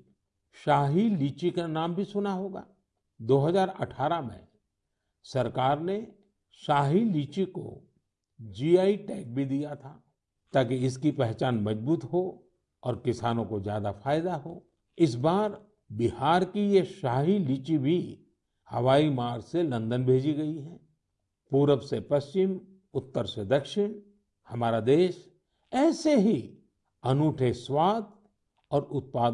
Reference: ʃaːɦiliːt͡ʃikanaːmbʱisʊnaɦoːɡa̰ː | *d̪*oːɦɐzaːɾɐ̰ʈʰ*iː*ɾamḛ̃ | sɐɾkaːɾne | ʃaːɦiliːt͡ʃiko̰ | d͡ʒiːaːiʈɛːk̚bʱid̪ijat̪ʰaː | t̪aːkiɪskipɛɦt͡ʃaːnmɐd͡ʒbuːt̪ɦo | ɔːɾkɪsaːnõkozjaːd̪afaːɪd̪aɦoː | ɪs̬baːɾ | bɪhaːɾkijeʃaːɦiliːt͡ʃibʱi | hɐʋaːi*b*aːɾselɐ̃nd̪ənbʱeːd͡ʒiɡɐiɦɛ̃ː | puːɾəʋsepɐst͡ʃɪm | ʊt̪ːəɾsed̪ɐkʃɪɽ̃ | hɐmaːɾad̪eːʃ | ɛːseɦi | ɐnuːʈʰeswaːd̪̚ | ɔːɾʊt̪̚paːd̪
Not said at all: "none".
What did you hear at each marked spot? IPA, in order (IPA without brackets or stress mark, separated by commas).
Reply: d̪, aː, m